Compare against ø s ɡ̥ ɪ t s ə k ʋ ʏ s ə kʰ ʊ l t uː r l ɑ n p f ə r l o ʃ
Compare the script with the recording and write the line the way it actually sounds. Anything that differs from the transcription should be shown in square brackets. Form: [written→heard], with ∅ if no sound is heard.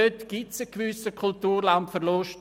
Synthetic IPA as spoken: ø [s→t] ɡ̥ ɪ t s ə k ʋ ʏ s ə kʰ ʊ l t uː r l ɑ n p f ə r l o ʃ